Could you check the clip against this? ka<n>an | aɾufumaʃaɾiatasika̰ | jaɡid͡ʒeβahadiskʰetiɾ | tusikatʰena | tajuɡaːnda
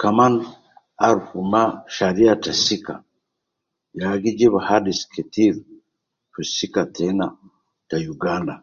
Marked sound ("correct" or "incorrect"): incorrect